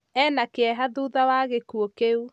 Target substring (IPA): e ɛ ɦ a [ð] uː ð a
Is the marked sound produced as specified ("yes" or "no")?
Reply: yes